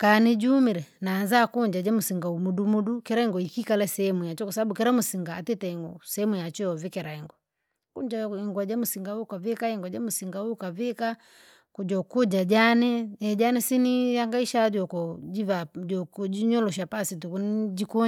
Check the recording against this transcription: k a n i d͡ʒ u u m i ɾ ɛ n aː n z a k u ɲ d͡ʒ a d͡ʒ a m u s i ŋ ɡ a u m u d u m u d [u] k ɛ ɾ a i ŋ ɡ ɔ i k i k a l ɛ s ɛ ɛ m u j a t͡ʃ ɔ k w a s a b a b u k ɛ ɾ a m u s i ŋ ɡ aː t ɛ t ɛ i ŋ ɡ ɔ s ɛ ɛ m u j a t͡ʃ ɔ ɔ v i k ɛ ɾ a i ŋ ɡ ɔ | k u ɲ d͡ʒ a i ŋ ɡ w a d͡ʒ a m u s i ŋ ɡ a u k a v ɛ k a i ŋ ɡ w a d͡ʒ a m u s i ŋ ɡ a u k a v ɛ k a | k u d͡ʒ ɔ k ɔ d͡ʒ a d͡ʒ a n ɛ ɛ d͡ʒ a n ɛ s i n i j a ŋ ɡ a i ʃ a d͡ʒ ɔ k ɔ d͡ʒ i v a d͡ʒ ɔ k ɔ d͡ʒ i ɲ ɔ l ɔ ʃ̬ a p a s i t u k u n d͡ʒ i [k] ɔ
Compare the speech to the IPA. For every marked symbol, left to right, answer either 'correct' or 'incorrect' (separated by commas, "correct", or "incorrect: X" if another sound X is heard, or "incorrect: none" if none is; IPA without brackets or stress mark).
correct, correct